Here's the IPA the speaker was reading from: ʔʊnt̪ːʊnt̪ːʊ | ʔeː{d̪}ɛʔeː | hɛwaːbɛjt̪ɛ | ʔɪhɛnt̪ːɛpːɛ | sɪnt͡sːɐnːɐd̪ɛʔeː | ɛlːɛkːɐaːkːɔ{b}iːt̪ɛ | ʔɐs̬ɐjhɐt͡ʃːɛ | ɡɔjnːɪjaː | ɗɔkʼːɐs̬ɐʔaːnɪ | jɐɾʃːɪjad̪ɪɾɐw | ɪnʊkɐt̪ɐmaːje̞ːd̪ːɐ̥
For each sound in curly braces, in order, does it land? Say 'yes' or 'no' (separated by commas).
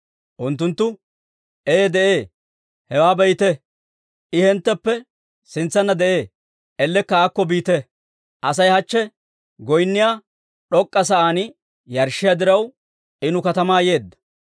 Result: yes, yes